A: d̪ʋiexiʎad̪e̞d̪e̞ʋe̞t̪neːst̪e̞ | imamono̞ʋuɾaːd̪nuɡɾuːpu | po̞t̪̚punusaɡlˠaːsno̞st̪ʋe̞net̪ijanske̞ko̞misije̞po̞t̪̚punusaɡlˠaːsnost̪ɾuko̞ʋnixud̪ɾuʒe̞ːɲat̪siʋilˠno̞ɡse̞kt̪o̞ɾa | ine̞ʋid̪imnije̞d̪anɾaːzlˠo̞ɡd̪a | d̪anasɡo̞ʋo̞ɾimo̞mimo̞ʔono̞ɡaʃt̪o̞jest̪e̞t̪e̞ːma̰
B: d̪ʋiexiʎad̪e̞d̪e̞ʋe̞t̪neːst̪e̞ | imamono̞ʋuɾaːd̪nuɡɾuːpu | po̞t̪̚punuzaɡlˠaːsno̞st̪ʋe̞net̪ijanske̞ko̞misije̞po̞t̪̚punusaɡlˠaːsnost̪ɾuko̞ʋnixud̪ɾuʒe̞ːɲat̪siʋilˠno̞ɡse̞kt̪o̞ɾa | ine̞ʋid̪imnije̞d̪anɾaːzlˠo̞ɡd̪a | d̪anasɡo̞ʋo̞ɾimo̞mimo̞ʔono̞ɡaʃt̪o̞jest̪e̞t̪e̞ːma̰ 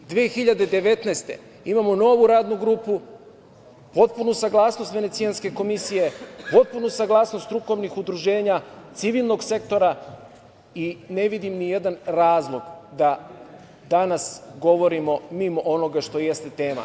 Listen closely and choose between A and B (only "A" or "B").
A